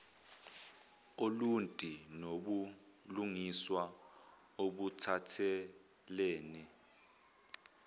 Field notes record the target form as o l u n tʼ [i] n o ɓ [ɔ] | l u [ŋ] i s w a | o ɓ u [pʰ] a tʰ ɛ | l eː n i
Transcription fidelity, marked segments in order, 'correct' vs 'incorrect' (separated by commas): correct, incorrect, correct, incorrect